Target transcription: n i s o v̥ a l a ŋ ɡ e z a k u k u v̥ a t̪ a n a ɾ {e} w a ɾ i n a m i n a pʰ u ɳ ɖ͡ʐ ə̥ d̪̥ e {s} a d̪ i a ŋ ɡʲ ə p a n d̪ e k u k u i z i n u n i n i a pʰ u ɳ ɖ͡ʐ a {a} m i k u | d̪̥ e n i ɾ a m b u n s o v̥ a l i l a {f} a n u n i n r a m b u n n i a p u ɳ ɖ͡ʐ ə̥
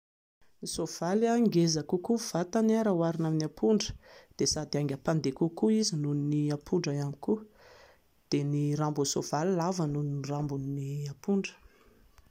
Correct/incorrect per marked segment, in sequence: incorrect: a, correct, correct, incorrect: v

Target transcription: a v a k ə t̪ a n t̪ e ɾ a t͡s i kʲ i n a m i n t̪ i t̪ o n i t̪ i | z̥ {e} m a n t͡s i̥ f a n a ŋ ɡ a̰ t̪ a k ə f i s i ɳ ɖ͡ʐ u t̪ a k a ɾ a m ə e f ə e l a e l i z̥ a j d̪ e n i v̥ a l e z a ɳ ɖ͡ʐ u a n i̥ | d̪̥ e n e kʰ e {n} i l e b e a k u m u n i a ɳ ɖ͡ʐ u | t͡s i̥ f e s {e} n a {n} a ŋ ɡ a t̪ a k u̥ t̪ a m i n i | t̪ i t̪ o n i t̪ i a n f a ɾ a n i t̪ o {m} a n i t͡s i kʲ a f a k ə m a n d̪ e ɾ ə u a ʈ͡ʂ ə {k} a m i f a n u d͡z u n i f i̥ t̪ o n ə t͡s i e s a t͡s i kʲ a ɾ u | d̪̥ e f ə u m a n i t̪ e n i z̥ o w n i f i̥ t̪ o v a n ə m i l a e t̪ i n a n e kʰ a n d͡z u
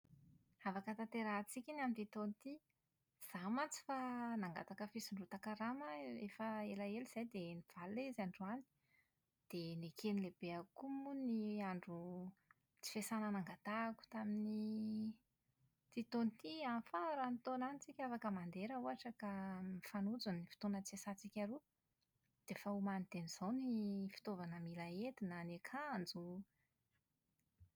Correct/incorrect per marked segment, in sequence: incorrect: a, correct, incorrect: a, correct, incorrect: n, correct

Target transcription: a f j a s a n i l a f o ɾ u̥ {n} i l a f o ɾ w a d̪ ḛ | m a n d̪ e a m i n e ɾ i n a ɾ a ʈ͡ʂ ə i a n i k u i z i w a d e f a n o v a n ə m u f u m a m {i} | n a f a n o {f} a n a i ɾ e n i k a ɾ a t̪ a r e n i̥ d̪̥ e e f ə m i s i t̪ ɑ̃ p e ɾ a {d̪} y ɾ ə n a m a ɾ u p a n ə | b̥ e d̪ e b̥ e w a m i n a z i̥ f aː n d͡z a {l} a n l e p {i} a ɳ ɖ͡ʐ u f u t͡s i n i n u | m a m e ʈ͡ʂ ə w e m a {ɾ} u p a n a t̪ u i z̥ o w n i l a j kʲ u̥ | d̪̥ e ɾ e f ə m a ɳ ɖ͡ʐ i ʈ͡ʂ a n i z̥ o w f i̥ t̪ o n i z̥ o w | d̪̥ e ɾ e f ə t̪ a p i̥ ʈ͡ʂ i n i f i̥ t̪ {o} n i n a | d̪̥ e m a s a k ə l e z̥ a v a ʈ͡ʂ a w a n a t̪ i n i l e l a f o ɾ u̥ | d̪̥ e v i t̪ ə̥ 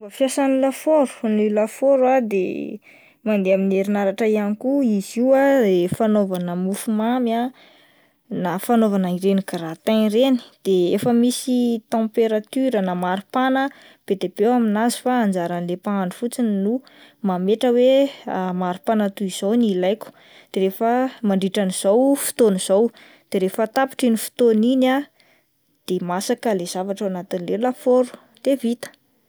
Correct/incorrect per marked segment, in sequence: correct, incorrect: a, incorrect: v, incorrect: t̪, incorrect: ɾ, incorrect: a, correct, correct

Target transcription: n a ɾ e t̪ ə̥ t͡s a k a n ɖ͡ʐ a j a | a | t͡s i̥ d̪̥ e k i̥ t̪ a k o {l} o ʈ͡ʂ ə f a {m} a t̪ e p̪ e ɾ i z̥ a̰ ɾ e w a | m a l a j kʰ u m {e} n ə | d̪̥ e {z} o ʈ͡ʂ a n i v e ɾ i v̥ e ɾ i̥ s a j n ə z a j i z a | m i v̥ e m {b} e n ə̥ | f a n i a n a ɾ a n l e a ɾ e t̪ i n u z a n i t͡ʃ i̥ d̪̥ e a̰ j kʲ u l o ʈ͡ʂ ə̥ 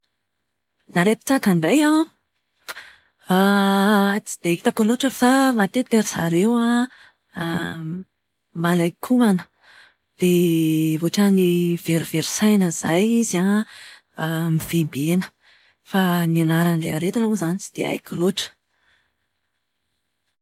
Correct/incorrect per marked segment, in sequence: correct, correct, incorrect: a, incorrect: v, correct

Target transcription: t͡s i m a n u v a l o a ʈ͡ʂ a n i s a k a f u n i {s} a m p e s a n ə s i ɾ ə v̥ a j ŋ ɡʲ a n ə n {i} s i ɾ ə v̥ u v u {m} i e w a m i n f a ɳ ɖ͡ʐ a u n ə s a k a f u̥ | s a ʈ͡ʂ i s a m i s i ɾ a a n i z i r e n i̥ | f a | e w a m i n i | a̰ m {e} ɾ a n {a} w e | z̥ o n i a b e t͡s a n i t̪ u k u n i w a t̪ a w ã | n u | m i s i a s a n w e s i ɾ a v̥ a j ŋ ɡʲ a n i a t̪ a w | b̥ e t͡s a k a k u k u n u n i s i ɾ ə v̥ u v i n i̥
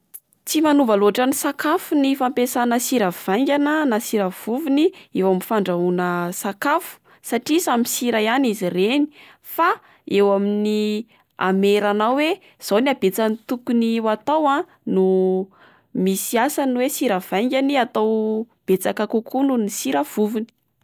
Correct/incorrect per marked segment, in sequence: incorrect: f, incorrect: a, incorrect: n, correct, correct

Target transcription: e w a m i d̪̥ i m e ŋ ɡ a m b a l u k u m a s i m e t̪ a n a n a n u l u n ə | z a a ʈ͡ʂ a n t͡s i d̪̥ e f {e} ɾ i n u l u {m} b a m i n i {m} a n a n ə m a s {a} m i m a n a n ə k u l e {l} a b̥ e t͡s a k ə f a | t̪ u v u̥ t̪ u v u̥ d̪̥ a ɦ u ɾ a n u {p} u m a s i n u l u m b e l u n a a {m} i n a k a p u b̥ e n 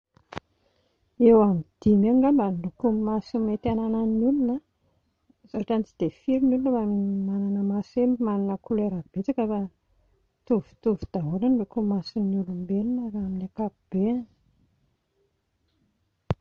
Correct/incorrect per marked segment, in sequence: incorrect: i, incorrect: n, correct, incorrect: e, incorrect: ɾ, incorrect: k, correct

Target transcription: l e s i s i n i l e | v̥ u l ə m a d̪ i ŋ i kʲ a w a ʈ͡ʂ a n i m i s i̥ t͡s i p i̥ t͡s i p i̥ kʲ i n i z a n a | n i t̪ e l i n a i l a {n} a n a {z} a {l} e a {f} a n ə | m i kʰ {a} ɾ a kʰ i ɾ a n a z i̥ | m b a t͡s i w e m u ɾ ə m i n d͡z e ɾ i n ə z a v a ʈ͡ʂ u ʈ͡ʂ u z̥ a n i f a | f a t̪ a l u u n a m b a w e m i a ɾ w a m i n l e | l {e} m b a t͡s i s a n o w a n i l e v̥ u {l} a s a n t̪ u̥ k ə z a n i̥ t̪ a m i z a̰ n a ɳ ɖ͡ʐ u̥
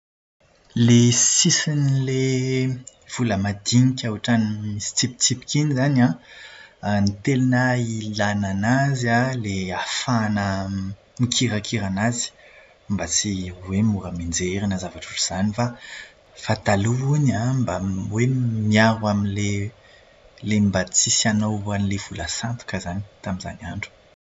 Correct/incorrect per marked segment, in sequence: correct, correct, correct, correct, incorrect: i, correct, correct

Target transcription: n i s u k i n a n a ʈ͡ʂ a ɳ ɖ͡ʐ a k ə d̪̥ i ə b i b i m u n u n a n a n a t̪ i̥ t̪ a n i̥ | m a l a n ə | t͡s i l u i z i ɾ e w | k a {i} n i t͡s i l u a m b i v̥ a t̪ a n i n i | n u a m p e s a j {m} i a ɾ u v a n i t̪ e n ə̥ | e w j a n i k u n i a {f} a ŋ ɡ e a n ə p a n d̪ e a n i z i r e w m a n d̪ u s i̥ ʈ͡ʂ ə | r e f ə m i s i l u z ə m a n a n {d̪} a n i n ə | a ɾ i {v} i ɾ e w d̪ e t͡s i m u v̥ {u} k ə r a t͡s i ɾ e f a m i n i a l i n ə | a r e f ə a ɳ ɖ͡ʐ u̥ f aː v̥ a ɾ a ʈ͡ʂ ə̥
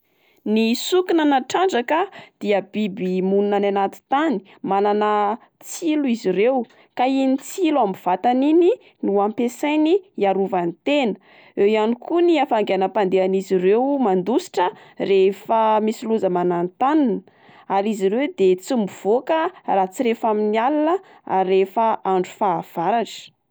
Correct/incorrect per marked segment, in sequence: correct, incorrect: n, correct, incorrect: t̪, incorrect: z, incorrect: o

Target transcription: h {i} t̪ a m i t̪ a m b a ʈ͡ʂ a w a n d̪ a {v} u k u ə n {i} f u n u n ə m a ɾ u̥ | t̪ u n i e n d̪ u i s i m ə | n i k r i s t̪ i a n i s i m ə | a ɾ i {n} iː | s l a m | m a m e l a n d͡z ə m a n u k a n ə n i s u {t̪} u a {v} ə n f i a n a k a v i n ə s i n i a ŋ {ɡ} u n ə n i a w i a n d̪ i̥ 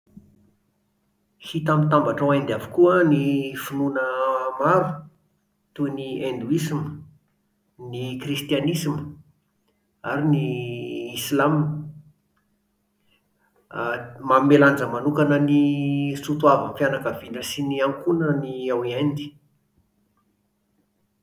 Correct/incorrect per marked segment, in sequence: correct, correct, correct, correct, correct, correct, incorrect: k

